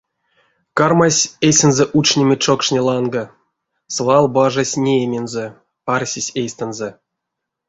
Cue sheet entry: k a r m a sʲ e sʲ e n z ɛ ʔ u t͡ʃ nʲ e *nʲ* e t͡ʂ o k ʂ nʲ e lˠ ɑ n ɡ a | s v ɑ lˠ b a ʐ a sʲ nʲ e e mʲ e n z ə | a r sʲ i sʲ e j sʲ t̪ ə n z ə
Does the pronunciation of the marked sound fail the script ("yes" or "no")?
yes